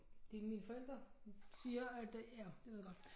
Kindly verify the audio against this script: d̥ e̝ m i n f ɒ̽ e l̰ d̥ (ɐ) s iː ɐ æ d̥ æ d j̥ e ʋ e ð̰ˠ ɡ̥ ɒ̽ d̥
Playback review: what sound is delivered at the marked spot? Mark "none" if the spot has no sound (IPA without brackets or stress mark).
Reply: ɐ